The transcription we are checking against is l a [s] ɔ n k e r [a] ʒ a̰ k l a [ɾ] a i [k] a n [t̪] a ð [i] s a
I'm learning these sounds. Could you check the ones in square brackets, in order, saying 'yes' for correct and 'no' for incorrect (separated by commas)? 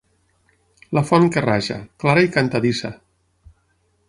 no, yes, yes, yes, yes, yes